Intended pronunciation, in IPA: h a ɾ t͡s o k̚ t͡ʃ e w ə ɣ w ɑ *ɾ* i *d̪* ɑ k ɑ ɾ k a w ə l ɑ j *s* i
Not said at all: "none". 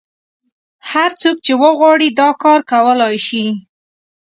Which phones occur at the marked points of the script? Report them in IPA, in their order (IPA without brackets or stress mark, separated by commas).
ɽ, d̪, ʃ